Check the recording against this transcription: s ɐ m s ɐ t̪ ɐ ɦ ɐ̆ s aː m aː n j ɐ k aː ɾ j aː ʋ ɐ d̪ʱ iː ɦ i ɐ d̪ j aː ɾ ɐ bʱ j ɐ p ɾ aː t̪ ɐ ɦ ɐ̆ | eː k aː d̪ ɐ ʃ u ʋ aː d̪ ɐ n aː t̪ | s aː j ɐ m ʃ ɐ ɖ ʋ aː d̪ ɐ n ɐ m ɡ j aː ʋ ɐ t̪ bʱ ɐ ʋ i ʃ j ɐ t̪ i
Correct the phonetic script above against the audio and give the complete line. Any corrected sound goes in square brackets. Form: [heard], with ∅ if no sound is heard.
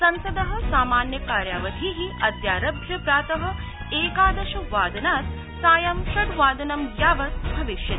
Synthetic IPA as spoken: s ɐ [n] s ɐ [d̪] ɐ ɦ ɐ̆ s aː m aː n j ɐ k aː ɾ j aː ʋ ɐ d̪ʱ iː ɦ i ɐ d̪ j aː ɾ ɐ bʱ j ɐ p ɾ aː t̪ ɐ ɦ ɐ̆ | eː k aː d̪ ɐ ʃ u ʋ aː d̪ ɐ n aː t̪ | s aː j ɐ m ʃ ɐ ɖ ʋ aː d̪ ɐ n ɐ m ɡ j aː ʋ ɐ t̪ bʱ ɐ ʋ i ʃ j ɐ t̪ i